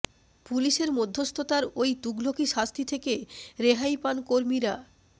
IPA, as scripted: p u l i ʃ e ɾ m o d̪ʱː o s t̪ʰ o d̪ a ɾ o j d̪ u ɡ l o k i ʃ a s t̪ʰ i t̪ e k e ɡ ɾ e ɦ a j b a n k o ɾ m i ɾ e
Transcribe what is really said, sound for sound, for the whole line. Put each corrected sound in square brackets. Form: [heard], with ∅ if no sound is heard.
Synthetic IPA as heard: p u l i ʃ e ɾ m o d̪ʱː o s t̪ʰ o [t̪] a ɾ o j [t̪] u ɡ l o k i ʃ a s t̪ʰ i [t̪ʰ] e k e [∅] ɾ e ɦ a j [p] a n k o ɾ m i ɾ [a]